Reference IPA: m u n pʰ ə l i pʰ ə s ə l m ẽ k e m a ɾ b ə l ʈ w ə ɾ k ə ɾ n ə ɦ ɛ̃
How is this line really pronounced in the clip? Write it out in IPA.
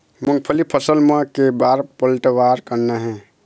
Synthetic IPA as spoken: m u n pʰ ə l i pʰ ə s ə l m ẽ k e b a ɾ p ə l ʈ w a ɾ k ə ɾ n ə ɦ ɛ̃